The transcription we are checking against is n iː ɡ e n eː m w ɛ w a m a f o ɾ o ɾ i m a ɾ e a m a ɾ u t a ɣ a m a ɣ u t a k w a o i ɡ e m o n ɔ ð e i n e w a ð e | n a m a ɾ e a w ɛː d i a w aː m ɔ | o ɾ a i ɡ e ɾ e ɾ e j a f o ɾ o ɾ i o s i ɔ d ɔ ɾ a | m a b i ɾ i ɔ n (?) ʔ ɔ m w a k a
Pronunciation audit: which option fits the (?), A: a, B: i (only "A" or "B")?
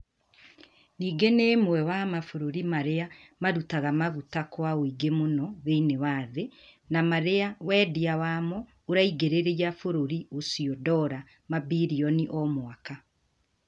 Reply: B